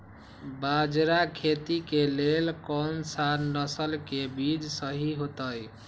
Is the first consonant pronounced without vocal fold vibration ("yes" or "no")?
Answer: no